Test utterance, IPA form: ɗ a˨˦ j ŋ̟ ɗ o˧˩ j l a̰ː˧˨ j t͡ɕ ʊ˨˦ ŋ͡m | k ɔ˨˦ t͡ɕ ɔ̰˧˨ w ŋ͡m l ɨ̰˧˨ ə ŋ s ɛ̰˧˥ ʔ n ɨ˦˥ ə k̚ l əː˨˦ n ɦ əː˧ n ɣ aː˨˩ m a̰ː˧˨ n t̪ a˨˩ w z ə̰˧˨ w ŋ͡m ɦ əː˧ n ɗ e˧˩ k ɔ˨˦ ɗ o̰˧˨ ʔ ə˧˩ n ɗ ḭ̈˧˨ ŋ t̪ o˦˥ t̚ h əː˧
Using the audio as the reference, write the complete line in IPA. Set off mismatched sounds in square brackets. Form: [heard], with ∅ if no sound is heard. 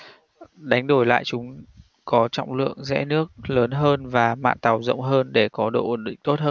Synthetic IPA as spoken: ɗ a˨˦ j ŋ̟ ɗ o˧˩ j l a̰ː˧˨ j t͡ɕ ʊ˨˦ ŋ͡m | k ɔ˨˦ t͡ɕ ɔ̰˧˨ w ŋ͡m l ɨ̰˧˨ ə ŋ [z] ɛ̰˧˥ [∅] n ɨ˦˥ ə k̚ l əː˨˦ n ɦ əː˧ n [v] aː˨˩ m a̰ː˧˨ n t̪ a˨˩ w z ə̰˧˨ w ŋ͡m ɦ əː˧ n ɗ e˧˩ k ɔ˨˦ ɗ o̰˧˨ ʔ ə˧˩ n ɗ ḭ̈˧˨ ŋ t̪ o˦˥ t̚ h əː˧